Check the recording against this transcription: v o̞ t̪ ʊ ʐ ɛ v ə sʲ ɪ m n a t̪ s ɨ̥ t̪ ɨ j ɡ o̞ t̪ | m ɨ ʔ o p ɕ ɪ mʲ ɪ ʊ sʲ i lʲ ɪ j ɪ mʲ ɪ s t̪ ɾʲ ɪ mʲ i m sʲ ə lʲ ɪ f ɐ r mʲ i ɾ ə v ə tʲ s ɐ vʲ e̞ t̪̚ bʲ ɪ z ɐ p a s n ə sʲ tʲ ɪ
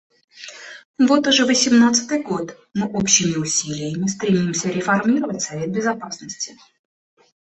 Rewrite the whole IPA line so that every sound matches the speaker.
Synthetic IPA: v o̞ t̪ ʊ ʐ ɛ v ə sʲ ɪ m n a t̪ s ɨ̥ t̪ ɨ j ɡ o̞ t̪ | m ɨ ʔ o p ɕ ɪ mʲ ɪ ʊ sʲ i lʲ ɪ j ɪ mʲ ɪ s t̪ ɾʲ ɪ mʲ i m sʲ ə ɾʲ ɪ f ɐ r mʲ i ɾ ə v ə tʲ s ɐ vʲ e̞ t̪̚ bʲ ɪ z ɐ p a s n ə sʲ tʲ ɪ